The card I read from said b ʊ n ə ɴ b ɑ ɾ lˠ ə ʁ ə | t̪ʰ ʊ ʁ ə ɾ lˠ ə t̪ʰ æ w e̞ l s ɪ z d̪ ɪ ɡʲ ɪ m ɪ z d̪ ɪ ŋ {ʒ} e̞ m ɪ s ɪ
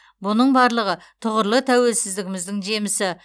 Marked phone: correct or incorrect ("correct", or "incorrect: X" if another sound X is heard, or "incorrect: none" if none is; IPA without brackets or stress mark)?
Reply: correct